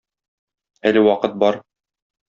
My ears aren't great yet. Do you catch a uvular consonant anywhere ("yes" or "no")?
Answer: yes